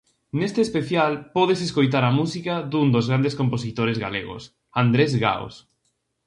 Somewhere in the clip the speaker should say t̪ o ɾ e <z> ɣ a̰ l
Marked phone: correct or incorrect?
correct